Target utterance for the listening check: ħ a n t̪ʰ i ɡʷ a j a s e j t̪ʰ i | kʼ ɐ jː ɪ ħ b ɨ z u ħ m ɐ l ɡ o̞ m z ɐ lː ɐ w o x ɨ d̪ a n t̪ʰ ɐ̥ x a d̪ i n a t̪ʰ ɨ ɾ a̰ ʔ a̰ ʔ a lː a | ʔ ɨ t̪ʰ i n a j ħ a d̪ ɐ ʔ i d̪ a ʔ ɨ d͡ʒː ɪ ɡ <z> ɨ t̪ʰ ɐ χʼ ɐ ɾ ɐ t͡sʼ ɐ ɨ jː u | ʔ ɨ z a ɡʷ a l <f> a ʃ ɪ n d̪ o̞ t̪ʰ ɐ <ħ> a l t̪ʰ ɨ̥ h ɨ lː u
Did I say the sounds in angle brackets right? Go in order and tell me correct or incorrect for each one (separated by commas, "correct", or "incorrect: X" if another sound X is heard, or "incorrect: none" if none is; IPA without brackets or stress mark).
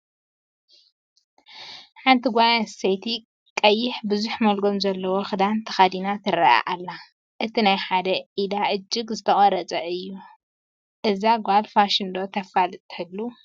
correct, correct, incorrect: f